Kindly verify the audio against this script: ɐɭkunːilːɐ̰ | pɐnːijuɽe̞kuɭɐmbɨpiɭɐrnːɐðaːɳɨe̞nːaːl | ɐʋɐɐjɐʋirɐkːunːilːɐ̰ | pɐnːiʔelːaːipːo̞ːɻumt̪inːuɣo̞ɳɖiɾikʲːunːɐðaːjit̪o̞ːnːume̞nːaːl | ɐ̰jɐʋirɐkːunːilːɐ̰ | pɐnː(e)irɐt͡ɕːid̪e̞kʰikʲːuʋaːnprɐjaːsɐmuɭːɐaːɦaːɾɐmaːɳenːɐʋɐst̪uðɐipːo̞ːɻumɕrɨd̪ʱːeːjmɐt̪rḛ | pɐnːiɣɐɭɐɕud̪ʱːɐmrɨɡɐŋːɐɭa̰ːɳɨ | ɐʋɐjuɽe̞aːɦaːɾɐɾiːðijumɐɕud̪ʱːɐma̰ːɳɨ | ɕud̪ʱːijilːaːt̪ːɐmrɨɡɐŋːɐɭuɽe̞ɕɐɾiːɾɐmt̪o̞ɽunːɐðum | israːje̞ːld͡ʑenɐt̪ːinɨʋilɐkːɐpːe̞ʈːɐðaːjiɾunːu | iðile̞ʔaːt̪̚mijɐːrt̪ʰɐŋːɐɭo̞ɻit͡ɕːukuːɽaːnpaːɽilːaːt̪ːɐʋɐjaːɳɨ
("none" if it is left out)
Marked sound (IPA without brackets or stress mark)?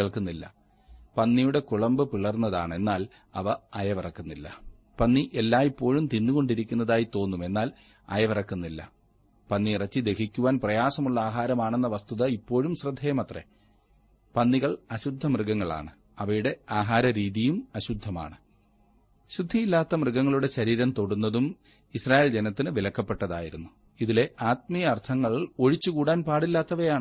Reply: i